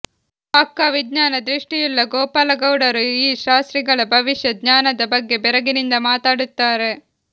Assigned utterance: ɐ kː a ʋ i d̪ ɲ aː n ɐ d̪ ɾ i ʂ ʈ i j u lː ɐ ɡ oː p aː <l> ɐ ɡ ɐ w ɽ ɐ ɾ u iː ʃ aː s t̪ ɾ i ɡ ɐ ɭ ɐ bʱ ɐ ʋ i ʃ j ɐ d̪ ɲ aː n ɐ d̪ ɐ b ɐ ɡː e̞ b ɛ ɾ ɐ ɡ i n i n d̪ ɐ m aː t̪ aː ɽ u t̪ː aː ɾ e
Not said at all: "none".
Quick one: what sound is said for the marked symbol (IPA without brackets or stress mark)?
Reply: l